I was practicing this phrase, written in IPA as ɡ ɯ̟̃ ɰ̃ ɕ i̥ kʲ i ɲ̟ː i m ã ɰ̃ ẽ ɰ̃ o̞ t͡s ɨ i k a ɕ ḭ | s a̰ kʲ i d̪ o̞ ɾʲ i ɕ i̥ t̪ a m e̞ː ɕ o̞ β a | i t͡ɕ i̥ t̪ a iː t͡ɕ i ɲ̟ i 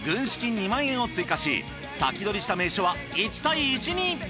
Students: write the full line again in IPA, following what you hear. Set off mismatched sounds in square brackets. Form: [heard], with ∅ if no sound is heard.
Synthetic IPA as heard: ɡ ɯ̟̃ ɰ̃ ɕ i̥ kʲ i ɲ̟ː i m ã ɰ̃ ẽ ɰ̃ o̞ t͡s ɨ i k a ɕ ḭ | s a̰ kʲ i d̪ o̞ ɾʲ i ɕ i̥ t̪ a m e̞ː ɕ o̞ β a | i t͡ɕ i̥ t̪ a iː t͡ɕ i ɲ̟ i

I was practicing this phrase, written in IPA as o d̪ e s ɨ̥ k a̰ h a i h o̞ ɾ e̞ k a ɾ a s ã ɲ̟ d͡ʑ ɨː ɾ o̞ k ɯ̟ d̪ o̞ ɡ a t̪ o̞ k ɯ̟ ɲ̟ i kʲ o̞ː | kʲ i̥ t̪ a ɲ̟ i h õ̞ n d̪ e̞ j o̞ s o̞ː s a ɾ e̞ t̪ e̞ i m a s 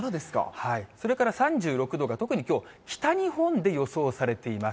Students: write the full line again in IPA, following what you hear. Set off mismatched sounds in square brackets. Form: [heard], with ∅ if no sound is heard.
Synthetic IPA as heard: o d̪ e s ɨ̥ k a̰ h a i [s] o̞ ɾ e̞ k a ɾ a s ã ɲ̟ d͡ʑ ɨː ɾ o̞ k ɯ̟ d̪ o̞ ɡ a t̪ o̞ k ɯ̟ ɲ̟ i kʲ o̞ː | kʲ i̥ t̪ a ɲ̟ i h õ̞ n d̪ e̞ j o̞ s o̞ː s a ɾ e̞ t̪ e̞ i m a s

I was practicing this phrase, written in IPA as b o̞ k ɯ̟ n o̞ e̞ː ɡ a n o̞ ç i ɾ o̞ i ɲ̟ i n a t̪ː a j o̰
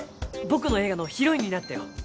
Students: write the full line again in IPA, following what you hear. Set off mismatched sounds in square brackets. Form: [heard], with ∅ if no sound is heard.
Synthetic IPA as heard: b o̞ k ɯ̟ n o̞ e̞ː ɡ a n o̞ ç i ɾ o̞ i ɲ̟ i n a t̪ː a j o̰

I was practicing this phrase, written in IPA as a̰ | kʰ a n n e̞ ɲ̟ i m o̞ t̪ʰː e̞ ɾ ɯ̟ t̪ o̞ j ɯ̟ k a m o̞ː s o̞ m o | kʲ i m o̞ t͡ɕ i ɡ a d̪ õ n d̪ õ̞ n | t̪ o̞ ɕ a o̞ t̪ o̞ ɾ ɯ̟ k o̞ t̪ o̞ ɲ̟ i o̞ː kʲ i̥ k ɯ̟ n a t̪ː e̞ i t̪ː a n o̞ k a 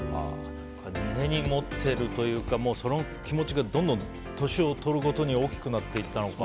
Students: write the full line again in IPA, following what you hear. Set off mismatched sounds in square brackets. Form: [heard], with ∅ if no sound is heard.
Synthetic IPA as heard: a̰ | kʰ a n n e̞ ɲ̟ i m o̞ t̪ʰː e̞ ɾ ɯ̟ t̪ o̞ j [ɯ̟ː] k a m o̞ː s o̞ [n] o | kʲ i m o̞ t͡ɕ i ɡ a d̪ õ n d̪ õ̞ n | t̪ o̞ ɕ [i] o̞ t̪ o̞ ɾ ɯ̟ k o̞ t̪ o̞ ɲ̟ i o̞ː kʲ i̥ k ɯ̟ n a t̪ː e̞ i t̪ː a n o̞ k a

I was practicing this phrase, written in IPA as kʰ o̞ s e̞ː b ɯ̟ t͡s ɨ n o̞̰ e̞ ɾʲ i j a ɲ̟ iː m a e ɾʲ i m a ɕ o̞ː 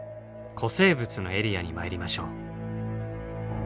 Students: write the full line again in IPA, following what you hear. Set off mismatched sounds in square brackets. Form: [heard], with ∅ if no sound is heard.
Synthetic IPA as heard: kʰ o̞ s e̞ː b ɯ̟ t͡s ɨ n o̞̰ e̞ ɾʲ i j a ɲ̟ [i] m a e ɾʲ i m a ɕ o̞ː

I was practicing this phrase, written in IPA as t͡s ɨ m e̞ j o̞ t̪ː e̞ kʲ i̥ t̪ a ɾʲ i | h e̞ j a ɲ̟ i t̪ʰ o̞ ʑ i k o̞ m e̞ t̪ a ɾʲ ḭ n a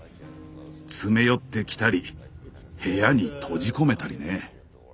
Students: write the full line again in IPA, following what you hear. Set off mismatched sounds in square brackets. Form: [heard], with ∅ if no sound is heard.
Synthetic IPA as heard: t͡s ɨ m e̞ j o̞ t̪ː e̞ kʲ i̥ t̪ a ɾʲ i | h e̞ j a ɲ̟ i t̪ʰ o̞ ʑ i k o̞ m e̞ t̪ a ɾʲ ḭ n [e]

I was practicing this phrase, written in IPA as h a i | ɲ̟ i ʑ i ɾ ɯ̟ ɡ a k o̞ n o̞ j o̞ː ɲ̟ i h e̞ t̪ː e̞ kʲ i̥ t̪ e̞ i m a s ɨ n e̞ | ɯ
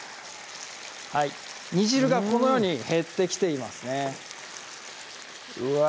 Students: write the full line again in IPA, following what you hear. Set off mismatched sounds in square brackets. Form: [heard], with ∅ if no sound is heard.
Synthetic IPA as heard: h a i | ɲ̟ i ʑ i ɾ ɯ̟ ɡ a k o̞ n o̞ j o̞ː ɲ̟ i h e̞ t̪ː e̞ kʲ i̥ t̪ e̞ i m a s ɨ n e̞ | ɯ

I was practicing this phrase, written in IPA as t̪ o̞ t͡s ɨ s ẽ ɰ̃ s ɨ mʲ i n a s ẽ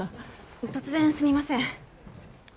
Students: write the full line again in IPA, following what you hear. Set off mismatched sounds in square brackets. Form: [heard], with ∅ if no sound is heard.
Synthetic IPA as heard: t̪ o̞ t͡s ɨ [z] ẽ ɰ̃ s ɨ mʲ i [m] a s ẽ

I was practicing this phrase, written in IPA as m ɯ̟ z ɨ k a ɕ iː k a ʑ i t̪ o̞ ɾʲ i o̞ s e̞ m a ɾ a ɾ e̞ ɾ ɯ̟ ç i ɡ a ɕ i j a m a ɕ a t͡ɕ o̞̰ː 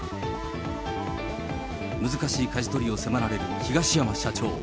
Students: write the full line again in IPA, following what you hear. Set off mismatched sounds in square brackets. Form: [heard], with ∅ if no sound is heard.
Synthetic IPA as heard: m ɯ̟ z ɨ k a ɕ iː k a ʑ i t̪ o̞ ɾʲ i o̞ s e̞ m a ɾ a ɾ e̞ ɾ ɯ̟ ç i ɡ a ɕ i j a m a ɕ a t͡ɕ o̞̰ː

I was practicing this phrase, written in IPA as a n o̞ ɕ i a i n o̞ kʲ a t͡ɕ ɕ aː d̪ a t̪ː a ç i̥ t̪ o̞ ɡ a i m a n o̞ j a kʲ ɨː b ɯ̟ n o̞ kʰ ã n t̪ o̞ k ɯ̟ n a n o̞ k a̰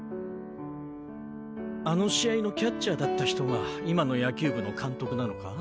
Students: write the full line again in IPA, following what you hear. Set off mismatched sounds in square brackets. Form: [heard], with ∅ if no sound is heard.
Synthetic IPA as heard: a n o̞ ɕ i a i n o̞ kʲ a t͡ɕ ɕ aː d̪ a t̪ː a ç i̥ t̪ o̞ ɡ a i m a n o̞ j a kʲ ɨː b ɯ̟ n o̞ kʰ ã n t̪ o̞ k ɯ̟ n a n o̞ k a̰

